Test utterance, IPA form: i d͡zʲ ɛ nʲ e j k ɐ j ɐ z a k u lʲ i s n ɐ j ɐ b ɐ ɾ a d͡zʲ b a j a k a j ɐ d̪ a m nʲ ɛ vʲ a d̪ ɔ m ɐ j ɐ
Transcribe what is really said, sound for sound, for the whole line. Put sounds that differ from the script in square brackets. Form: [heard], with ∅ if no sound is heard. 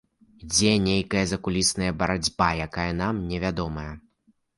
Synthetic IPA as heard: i d͡zʲ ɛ nʲ e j k ɐ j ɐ z [ɐ] k u lʲ i s n ɐ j ɐ b ɐ ɾ a d͡zʲ b a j a k a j ɐ [n̪] a m nʲ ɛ vʲ a d̪ ɔ m ɐ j ɐ